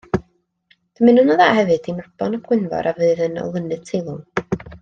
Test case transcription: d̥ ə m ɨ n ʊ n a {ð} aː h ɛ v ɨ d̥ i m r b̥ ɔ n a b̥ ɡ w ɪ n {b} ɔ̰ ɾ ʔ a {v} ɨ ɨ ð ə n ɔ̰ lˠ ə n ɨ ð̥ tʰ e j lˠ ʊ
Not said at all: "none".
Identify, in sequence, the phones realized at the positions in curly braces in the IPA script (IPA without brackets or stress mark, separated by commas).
ð, v, v